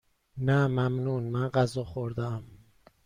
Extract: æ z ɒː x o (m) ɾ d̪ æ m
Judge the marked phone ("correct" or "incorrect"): incorrect